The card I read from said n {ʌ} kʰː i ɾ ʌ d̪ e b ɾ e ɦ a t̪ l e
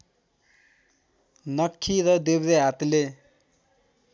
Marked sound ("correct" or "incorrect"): correct